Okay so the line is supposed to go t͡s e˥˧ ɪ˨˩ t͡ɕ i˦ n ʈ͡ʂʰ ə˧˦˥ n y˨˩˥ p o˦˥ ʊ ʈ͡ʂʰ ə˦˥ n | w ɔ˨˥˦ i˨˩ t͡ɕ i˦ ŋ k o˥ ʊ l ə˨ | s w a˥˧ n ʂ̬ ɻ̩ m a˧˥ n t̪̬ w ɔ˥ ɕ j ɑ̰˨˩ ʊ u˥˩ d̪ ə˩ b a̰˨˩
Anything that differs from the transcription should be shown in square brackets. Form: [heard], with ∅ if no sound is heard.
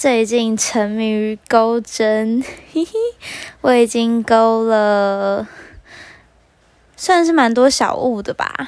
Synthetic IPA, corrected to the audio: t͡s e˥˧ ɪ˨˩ t͡ɕ [i˥˩] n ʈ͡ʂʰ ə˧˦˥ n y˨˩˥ [k] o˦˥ ʊ [ʈ͡ʂ] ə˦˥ n | w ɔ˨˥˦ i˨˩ t͡ɕ i˦ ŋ k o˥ ʊ l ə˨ | s w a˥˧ n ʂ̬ ɻ̩ m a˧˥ n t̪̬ w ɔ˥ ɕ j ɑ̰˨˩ ʊ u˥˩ d̪ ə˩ b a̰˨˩